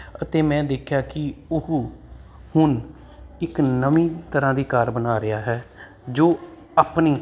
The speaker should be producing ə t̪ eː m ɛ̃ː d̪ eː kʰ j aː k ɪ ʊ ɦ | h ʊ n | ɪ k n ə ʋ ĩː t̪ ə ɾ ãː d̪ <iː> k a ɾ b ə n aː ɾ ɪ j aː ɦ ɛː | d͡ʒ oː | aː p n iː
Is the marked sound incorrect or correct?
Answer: correct